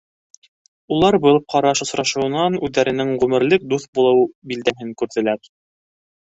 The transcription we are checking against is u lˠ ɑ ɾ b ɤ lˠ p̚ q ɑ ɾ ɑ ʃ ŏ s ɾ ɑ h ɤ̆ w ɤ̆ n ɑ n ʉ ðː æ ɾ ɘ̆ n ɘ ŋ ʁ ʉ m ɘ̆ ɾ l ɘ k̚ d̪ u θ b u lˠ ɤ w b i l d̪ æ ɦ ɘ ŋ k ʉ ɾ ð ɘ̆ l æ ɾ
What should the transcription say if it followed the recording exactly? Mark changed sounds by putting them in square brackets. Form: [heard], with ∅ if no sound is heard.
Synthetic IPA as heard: u lˠ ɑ ɾ b ɤ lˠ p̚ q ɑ ɾ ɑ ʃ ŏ s ɾ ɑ [ʃ] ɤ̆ w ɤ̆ n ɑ n ʉ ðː æ ɾ ɘ̆ n ɘ ŋ ʁ ʉ m ɘ̆ ɾ l ɘ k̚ d̪ u θ b u lˠ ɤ w b i l d̪ æ ɦ ɘ ŋ k ʉ ɾ ð ɘ̆ l æ ɾ